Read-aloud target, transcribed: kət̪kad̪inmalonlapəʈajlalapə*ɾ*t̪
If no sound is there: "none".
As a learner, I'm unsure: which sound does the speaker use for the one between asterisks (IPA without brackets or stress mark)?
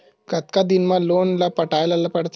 ɽ